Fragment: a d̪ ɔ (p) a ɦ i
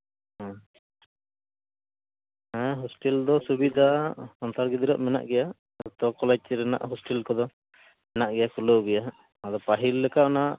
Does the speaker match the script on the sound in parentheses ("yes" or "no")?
yes